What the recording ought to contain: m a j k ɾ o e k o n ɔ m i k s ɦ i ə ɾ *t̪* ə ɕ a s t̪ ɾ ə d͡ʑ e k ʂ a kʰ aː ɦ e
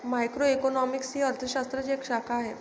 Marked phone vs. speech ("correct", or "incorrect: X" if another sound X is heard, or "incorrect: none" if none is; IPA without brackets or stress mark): incorrect: t̪ʰ